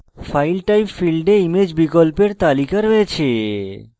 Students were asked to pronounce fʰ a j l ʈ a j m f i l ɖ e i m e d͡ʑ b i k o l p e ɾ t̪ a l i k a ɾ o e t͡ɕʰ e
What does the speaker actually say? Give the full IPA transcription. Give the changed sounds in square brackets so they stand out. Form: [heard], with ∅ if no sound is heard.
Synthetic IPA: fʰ a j l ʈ a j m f i l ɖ e i m e d͡ʑ b i k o l p e ɾ t̪ a l i k a ɾ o e t͡ɕʰ e